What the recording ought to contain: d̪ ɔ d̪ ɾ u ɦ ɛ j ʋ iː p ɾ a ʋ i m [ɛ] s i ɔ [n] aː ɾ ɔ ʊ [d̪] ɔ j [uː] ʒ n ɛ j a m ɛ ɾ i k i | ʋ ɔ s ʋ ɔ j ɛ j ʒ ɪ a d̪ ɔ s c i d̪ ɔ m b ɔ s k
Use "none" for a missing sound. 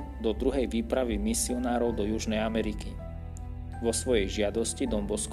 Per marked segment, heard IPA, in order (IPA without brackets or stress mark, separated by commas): i, n, d̪, u